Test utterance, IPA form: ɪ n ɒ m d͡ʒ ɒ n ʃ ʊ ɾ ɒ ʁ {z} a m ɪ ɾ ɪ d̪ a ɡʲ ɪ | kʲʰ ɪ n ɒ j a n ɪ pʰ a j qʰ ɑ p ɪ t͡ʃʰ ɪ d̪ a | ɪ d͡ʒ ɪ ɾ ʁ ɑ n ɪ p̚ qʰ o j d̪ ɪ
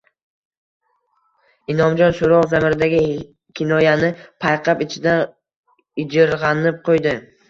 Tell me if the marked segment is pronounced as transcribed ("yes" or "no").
yes